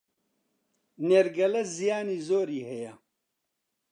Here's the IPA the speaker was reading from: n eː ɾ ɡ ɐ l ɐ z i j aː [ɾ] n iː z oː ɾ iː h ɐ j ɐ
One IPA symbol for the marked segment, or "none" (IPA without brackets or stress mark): none